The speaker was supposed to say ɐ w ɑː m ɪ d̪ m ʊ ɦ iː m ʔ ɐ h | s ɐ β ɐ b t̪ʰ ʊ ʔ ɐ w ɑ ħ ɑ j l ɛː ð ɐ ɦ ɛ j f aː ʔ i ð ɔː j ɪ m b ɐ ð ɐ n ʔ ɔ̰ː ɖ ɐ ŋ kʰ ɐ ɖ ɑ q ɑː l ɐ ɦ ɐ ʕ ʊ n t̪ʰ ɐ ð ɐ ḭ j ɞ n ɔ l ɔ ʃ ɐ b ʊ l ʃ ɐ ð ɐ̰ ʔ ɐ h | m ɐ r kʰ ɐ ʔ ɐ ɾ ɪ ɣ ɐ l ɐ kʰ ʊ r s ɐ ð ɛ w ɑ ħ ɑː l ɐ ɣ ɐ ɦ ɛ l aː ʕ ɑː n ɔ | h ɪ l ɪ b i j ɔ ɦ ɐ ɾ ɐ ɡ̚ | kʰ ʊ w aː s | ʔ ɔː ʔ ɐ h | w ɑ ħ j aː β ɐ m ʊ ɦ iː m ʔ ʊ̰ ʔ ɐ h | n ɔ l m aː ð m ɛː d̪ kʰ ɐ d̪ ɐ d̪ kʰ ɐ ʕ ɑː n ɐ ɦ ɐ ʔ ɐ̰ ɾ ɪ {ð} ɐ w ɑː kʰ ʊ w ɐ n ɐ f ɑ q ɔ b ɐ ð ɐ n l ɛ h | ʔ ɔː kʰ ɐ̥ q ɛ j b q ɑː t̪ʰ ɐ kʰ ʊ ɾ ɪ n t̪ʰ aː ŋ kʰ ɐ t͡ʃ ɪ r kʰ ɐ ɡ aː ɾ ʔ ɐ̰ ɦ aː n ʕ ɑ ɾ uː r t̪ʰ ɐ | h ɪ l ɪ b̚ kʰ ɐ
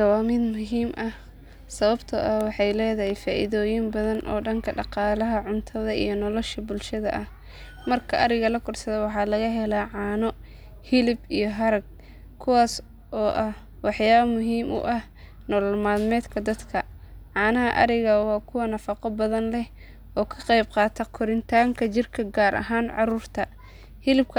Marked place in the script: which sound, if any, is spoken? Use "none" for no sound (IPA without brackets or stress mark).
ɣ